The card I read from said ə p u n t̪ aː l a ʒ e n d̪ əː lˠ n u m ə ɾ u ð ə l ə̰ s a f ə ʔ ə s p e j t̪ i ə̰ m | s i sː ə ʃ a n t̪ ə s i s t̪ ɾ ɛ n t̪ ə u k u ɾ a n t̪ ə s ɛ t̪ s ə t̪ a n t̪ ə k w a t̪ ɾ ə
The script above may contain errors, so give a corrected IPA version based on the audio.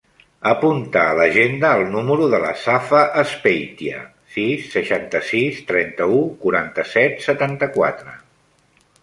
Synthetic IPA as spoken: ə p u n t̪ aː l ə ʒ e n d̪ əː lˠ n u m ə ɾ u ð ə l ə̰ s a f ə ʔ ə s p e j t̪ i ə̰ | s i sː ə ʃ a n t̪ ə s i s t̪ ɾ ɛ n t̪ ə u k u ɾ a n t̪ ə s ɛ t̪ s ə t̪ a n t̪ ə k w a t̪ ɾ ə